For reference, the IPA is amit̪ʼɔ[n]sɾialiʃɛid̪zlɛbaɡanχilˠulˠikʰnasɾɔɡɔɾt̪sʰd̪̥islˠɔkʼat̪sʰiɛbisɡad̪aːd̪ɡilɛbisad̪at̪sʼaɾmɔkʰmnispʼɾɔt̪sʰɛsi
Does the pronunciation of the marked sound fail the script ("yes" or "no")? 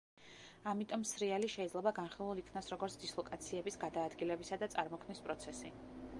yes